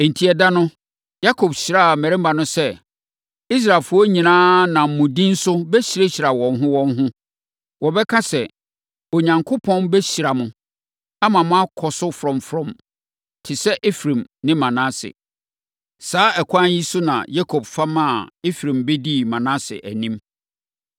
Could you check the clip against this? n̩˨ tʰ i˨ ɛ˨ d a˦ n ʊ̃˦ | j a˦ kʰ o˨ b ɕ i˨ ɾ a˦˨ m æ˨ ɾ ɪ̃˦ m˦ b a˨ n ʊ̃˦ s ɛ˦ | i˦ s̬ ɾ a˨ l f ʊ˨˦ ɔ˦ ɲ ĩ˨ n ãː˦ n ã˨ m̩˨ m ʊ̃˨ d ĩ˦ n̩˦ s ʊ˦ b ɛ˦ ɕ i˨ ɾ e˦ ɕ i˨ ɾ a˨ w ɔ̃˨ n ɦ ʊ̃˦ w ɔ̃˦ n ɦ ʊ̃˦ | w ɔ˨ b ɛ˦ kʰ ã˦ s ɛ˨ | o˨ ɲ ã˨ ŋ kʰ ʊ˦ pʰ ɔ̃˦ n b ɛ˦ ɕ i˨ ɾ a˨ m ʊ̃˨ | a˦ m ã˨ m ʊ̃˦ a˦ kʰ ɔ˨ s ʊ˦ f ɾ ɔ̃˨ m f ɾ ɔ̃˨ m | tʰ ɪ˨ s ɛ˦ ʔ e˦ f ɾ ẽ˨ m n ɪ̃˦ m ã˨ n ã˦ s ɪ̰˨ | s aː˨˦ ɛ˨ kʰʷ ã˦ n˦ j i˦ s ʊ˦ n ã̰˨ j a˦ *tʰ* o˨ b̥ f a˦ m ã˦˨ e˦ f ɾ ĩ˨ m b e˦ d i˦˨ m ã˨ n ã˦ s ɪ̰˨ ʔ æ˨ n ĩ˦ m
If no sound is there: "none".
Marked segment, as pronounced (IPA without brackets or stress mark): kʰ